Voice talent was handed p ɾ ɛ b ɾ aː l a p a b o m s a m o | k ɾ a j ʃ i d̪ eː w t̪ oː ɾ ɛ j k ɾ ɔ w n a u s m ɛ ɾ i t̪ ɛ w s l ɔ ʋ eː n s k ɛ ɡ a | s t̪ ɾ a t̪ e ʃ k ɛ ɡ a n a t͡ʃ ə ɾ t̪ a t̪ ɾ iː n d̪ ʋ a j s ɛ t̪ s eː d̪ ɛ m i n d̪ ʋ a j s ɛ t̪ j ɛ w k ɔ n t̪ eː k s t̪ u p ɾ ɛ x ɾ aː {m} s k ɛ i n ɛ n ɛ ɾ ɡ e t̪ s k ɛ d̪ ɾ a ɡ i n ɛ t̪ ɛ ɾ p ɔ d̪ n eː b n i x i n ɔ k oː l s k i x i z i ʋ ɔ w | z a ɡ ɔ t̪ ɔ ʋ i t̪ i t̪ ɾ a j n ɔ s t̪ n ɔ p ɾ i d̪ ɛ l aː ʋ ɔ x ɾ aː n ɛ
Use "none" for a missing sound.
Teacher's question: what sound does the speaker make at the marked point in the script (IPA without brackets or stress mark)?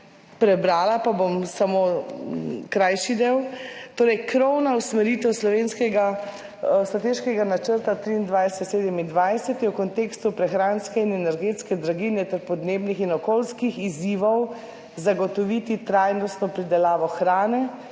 n